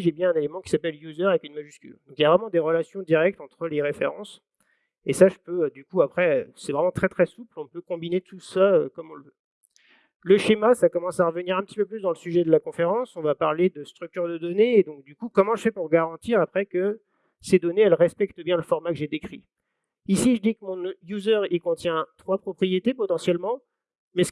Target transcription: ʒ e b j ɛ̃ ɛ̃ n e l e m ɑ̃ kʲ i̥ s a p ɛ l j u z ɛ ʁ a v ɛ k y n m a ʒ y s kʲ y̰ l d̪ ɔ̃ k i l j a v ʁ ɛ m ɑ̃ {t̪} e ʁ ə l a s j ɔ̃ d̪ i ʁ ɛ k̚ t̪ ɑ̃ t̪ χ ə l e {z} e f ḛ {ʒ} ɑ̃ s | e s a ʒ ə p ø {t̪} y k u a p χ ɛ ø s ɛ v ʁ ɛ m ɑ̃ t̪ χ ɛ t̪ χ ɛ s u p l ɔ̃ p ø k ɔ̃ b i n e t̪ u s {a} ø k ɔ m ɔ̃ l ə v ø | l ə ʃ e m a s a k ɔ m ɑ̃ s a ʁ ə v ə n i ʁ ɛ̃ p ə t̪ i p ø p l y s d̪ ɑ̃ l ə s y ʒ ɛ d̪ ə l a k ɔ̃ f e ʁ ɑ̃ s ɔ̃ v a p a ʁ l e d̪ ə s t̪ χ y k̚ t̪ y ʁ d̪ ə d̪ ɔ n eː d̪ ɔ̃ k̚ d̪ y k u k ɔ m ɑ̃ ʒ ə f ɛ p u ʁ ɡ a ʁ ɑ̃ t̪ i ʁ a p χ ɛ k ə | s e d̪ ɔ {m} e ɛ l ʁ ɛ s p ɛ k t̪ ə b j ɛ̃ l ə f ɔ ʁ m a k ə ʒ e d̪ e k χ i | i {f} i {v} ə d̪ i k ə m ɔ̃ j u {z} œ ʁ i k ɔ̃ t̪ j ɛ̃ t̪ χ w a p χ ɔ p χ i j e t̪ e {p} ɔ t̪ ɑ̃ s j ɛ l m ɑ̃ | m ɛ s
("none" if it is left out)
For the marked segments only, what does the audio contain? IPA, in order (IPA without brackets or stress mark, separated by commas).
d̪, ʁ, ʁ, d̪, a, n, s, ʒ, z, p